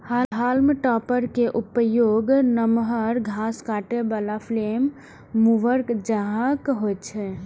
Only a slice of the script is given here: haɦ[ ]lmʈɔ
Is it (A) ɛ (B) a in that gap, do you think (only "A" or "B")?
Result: B